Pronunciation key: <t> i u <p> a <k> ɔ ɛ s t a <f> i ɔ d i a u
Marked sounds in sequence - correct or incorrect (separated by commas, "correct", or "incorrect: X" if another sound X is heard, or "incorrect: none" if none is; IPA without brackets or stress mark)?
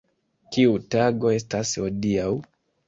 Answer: incorrect: k, incorrect: t, incorrect: ɡ, incorrect: s